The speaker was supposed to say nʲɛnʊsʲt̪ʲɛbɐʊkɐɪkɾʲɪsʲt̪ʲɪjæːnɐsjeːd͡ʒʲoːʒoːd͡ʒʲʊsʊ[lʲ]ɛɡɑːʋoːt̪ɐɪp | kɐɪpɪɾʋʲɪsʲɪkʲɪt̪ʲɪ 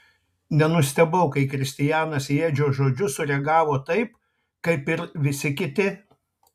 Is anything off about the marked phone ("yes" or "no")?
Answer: yes